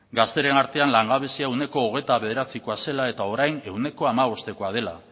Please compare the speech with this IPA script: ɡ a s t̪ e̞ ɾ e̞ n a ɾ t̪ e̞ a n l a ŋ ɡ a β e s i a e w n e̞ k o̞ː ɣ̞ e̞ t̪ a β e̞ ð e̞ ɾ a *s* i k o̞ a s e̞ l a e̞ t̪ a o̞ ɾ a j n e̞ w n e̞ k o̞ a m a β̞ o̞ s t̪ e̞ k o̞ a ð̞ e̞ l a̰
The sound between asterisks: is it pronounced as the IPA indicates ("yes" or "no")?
no